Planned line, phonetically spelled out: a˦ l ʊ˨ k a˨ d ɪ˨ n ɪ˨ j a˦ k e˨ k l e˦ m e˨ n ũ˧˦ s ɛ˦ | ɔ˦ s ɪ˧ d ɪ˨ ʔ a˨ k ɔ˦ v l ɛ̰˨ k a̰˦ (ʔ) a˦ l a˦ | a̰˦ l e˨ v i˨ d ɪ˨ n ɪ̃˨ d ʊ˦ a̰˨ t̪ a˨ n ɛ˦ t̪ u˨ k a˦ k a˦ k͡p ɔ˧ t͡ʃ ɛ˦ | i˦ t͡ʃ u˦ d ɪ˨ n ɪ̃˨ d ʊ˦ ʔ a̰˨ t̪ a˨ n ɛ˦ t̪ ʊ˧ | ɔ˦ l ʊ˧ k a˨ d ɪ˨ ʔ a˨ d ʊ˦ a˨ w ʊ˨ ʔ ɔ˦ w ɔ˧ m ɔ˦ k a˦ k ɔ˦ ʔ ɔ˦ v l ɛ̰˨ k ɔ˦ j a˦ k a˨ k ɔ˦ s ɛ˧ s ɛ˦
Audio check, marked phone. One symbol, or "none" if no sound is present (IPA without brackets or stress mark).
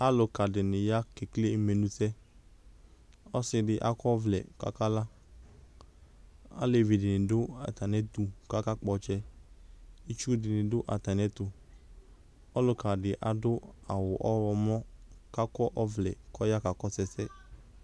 k